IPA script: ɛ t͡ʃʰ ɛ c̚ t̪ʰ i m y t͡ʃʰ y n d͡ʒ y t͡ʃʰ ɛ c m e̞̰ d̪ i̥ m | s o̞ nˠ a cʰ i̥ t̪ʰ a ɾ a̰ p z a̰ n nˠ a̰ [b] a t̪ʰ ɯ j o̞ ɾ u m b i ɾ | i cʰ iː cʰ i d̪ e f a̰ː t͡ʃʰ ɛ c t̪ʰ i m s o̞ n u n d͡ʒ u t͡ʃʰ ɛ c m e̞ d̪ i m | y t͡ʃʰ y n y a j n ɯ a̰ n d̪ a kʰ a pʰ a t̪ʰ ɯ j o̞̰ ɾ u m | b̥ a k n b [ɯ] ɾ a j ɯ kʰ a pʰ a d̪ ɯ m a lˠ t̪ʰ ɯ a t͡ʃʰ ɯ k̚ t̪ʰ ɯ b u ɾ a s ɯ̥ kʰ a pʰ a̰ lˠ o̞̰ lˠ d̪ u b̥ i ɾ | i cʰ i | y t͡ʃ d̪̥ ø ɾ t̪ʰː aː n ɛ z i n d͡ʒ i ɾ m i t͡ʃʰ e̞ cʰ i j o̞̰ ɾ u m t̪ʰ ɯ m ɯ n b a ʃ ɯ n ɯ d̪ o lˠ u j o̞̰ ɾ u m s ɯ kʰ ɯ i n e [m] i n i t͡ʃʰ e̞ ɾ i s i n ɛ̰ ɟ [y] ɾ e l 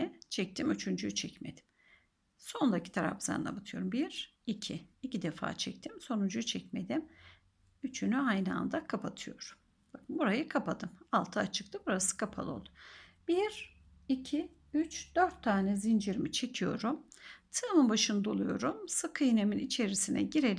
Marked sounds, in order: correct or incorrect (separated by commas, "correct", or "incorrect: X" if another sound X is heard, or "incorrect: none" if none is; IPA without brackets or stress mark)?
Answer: correct, incorrect: u, correct, incorrect: i